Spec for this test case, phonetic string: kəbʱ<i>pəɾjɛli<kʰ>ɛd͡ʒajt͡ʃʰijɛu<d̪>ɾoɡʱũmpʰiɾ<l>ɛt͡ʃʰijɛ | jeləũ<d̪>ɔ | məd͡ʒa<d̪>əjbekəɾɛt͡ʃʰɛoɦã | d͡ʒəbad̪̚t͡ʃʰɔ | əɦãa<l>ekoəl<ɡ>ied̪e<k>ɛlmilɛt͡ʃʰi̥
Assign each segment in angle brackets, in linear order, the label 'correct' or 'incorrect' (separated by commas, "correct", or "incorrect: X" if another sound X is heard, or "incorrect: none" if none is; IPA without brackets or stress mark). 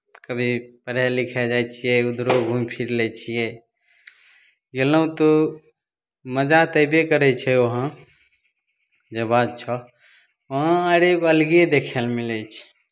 correct, correct, correct, correct, incorrect: t̪, incorrect: t̪, incorrect: ɾ, correct, incorrect: kʰ